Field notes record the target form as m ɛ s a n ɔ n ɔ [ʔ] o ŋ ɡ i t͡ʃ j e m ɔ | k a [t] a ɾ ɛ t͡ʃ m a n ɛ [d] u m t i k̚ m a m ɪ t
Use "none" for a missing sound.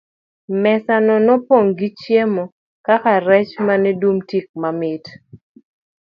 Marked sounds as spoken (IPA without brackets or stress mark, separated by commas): p, k, d